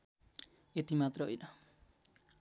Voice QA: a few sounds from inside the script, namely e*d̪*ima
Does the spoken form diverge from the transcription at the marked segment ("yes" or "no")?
yes